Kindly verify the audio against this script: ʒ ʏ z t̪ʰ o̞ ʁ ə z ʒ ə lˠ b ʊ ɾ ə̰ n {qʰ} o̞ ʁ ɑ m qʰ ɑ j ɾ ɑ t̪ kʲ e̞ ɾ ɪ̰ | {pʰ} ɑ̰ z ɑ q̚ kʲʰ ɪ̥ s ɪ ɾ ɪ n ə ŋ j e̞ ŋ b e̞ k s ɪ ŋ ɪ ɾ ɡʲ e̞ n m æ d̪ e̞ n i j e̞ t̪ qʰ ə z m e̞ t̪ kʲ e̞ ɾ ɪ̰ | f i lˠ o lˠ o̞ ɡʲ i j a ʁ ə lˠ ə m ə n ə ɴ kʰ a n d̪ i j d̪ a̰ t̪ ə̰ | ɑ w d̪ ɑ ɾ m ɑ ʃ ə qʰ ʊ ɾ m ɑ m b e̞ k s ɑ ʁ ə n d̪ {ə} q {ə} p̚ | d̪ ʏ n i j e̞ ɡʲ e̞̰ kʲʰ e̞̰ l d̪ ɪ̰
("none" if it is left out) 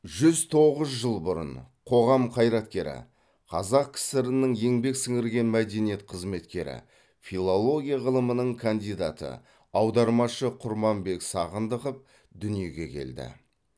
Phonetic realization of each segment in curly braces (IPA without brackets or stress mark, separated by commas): qʰ, qʰ, ə, ə